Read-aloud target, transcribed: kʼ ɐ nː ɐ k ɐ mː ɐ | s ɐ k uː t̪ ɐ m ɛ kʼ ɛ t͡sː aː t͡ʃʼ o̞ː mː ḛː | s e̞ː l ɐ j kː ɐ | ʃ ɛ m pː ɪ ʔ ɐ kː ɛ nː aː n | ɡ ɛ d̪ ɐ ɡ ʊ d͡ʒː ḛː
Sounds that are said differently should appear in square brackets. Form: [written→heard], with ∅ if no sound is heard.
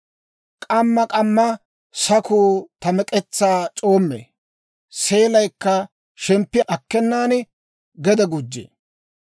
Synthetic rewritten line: kʼ ɐ [nː→mː] ɐ [k→kʼ] ɐ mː ɐ | s ɐ k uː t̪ ɐ m ɛ kʼ ɛ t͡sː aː t͡ʃʼ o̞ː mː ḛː | s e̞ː l ɐ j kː ɐ | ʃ ɛ m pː ɪ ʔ ɐ kː ɛ nː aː n | ɡ ɛ d̪ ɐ ɡ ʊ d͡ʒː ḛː

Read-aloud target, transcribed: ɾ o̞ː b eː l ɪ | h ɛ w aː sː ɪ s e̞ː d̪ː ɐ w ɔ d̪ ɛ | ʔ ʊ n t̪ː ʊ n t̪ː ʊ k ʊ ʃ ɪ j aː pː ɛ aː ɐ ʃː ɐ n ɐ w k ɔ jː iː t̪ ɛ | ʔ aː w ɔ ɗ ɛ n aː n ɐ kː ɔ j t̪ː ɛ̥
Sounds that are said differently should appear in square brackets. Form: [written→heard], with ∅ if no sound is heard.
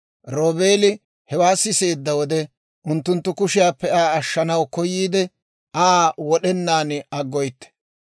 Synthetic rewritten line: ɾ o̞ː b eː l ɪ | h ɛ w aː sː ɪ s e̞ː d̪ː ɐ w ɔ d̪ ɛ | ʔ ʊ n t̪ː ʊ n t̪ː ʊ k ʊ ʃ ɪ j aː pː ɛ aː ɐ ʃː ɐ n ɐ w k ɔ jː iː [t̪→d̪] ɛ | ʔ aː w ɔ ɗ ɛ [n→nː] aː n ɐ [kː→ɡː] ɔ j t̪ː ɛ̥

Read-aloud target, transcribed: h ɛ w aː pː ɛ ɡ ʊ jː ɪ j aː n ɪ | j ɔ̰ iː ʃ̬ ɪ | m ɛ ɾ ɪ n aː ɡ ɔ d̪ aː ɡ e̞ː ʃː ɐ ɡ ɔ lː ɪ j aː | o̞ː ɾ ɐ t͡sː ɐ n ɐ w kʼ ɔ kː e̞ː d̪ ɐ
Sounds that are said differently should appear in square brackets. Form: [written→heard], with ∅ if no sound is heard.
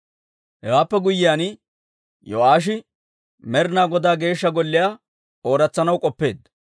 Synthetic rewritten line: h ɛ w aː pː ɛ ɡ ʊ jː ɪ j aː n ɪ | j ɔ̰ [iː→aː] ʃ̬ ɪ | m ɛ ɾ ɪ n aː ɡ ɔ d̪ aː ɡ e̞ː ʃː ɐ ɡ ɔ lː ɪ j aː | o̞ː ɾ ɐ t͡sː ɐ n ɐ w kʼ ɔ [kː→pː] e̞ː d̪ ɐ

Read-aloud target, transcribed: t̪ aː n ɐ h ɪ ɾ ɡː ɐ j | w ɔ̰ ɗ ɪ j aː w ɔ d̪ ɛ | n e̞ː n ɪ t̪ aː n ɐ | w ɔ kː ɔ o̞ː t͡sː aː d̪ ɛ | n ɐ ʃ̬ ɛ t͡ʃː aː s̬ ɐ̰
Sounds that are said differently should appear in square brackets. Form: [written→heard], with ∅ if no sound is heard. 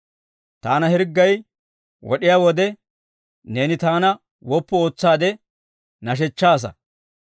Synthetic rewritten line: t̪ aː n ɐ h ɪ ɾ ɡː ɐ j | w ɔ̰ ɗ ɪ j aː w ɔ d̪ ɛ | n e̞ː n ɪ t̪ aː n ɐ | w ɔ [kː→pː] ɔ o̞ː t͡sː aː d̪ ɛ | n ɐ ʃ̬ ɛ t͡ʃː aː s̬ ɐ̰

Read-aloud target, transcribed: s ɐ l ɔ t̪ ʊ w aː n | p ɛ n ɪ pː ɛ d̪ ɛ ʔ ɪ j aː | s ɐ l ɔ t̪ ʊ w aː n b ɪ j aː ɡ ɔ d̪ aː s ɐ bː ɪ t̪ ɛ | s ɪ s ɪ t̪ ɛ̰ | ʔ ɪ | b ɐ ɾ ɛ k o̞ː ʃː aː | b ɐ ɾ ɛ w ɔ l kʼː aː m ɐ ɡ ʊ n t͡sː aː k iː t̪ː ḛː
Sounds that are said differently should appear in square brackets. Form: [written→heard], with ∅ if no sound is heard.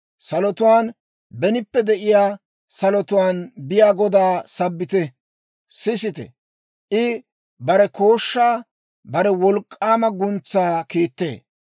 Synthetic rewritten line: s ɐ l ɔ t̪ ʊ w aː n | [p→b] ɛ n ɪ pː ɛ d̪ ɛ ʔ ɪ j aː | s ɐ l ɔ t̪ ʊ w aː n b ɪ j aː ɡ ɔ d̪ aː s ɐ bː ɪ t̪ ɛ | s ɪ s ɪ t̪ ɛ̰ | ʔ ɪ | b ɐ ɾ ɛ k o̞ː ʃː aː | b ɐ ɾ ɛ w ɔ l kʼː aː m ɐ ɡ ʊ n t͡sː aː k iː t̪ː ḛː

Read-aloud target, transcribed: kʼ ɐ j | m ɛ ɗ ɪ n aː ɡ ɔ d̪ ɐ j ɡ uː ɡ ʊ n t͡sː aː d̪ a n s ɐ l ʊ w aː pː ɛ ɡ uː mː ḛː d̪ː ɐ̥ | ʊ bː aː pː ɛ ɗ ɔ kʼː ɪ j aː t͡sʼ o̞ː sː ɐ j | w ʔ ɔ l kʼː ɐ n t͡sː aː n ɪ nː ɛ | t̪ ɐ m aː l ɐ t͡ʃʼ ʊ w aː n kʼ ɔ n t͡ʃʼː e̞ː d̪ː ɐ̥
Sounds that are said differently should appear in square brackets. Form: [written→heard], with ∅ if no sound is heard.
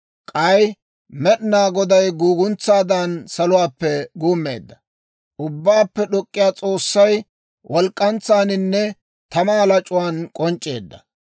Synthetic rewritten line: kʼ ɐ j | m ɛ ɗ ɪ n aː ɡ ɔ d̪ ɐ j ɡ uː ɡ ʊ n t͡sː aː d̪ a n s ɐ l ʊ w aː pː ɛ ɡ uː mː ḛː d̪ː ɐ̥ | ʊ bː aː pː ɛ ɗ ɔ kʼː ɪ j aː t͡sʼ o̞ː sː ɐ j | w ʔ ɔ l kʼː ɐ n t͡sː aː n ɪ nː ɛ | t̪ ɐ m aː l ɐ t͡ʃʼ ʊ w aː n kʼ ɔ n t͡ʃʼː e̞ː d̪ː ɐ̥

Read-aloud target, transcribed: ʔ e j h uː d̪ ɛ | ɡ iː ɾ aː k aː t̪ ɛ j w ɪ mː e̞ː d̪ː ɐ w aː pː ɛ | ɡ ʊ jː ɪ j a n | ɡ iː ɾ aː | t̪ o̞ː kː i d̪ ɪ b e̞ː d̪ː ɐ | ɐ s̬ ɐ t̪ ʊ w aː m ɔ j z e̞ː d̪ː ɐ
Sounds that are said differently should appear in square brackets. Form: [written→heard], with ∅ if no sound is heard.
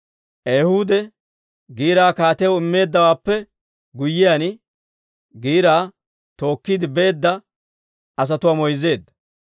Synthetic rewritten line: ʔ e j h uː d̪ ɛ | ɡ iː ɾ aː k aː t̪ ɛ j w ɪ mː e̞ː d̪ː ɐ w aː pː ɛ | ɡ ʊ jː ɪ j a n | ɡ iː ɾ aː | t̪ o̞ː kː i d̪ ɪ b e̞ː d̪ː ɐ | ɐ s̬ ɐ t̪ ʊ w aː m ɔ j z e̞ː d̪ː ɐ

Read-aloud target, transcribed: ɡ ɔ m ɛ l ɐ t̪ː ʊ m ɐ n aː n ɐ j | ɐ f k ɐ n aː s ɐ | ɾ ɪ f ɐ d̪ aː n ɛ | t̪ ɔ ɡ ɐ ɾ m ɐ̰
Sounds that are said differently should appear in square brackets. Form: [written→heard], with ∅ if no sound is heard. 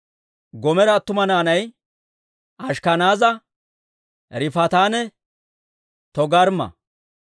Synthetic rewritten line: ɡ ɔ m ɛ [l→ɾ] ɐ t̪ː ʊ m ɐ n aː n ɐ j | ɐ [f→ʃ] k ɐ n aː [s→z] ɐ | ɾ ɪ f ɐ [d̪→t̪] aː n ɛ | t̪ ɔ ɡ ɐ ɾ m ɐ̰

